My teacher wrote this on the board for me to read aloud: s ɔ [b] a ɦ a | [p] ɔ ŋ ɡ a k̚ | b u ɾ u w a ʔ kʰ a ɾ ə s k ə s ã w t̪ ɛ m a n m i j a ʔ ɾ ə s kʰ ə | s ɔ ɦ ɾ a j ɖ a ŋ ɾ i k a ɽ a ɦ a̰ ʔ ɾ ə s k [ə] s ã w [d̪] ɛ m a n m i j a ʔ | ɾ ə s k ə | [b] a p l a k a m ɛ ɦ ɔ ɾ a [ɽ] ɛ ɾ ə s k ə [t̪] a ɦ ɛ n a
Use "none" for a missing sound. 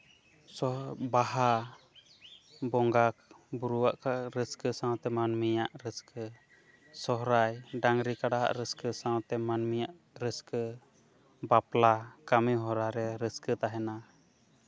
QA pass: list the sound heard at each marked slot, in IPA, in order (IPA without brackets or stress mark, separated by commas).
b, b, ə, t̪, b, ɾ, t̪